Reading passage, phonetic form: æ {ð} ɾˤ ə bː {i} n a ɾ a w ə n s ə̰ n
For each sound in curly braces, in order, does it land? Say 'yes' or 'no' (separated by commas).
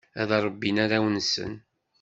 yes, yes